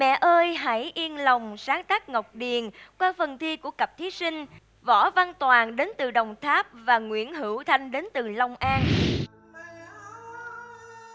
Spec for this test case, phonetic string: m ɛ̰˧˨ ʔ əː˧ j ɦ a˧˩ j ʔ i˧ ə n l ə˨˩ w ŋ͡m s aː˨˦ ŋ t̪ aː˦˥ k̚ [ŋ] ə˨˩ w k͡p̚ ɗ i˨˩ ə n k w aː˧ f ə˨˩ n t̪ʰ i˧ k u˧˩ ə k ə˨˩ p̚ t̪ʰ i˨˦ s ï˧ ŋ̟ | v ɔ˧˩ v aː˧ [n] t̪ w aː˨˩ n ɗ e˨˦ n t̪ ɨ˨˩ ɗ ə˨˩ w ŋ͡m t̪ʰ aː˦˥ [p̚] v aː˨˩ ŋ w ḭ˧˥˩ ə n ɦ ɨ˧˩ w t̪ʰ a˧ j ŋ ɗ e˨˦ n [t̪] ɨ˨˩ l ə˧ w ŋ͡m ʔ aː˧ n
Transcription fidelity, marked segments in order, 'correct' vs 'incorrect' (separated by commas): correct, correct, correct, correct